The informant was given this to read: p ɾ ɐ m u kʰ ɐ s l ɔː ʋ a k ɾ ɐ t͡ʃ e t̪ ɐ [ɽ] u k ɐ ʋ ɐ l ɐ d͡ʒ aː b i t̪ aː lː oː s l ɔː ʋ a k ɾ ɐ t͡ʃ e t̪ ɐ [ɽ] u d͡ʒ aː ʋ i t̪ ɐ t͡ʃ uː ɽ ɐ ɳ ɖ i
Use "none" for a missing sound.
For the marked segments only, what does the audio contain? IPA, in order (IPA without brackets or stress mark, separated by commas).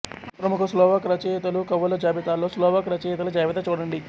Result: l, l